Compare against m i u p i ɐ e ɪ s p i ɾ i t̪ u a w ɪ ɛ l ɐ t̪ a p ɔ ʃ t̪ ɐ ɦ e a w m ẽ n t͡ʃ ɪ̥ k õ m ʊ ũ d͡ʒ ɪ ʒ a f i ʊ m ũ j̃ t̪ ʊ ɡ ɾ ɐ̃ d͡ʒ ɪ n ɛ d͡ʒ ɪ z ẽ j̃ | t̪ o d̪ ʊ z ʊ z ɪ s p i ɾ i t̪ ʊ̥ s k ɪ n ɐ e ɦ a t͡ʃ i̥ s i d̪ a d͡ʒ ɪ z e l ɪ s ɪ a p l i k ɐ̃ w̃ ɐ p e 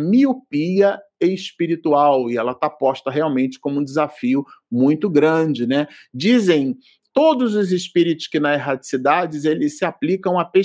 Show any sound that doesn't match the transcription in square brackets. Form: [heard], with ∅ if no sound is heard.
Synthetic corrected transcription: m i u p i ɐ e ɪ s p i ɾ i t̪ u a w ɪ ɛ l ɐ t̪ a p ɔ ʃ t̪ ɐ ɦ e a w m ẽ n t͡ʃ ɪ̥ k õ m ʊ ũ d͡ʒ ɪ [z] a f i ʊ m ũ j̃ t̪ ʊ ɡ ɾ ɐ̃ d͡ʒ ɪ n ɛ d͡ʒ [i] z ẽ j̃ | t̪ o d̪ ʊ z ʊ z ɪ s p i ɾ i t̪ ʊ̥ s k ɪ n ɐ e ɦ a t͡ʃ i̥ s i d̪ a d͡ʒ ɪ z e l ɪ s ɪ a p l i k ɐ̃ w̃ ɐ p e